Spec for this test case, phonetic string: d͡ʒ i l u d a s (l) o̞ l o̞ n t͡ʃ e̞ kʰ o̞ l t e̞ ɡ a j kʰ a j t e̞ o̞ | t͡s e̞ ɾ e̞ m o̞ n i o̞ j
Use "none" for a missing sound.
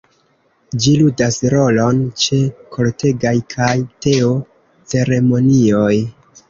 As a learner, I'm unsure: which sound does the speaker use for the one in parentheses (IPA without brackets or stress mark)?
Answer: ɾ